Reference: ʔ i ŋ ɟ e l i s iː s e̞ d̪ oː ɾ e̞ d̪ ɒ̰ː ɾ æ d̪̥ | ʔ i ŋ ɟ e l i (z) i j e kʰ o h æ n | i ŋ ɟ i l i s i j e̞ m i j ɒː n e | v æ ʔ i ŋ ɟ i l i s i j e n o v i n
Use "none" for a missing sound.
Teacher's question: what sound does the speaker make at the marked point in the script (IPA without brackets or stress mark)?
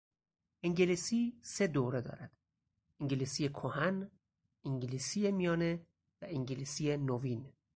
s